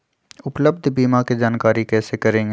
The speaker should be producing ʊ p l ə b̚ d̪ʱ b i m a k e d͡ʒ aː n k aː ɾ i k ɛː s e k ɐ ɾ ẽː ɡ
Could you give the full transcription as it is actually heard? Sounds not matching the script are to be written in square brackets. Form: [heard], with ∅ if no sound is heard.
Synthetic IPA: ʊ p l ə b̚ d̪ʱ b [iː] m a k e d͡ʒ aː n k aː ɾ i k ɛː s e k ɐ ɾ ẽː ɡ